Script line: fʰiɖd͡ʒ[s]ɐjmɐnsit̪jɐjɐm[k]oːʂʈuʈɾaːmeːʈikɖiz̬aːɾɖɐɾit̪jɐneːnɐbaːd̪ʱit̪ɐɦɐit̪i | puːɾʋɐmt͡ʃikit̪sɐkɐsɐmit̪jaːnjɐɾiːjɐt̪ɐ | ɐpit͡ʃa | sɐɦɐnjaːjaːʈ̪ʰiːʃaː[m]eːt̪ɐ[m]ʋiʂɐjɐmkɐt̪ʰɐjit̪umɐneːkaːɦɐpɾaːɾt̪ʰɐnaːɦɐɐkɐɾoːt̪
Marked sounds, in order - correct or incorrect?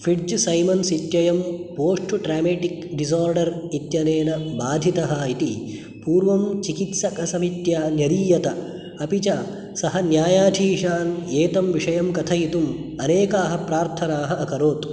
correct, incorrect, incorrect, correct

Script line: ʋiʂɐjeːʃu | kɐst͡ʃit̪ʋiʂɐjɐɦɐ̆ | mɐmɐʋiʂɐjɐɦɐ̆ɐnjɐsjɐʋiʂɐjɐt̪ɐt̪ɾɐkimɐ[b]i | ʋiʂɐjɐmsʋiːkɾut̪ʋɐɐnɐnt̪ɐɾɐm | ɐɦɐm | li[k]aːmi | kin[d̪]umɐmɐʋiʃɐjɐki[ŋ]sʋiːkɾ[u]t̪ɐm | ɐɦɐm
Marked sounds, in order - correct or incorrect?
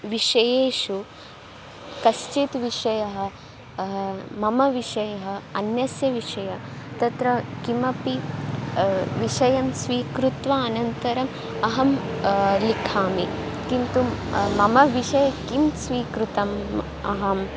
incorrect, incorrect, incorrect, incorrect, correct

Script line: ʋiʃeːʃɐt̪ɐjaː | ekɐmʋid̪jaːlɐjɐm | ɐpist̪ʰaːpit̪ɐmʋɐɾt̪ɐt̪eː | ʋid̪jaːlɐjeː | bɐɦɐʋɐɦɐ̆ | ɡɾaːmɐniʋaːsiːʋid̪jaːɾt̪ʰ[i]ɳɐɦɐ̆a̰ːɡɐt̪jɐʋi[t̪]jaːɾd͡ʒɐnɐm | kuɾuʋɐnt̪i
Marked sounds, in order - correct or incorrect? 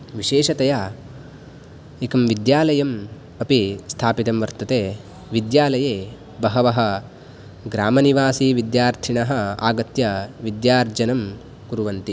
correct, incorrect

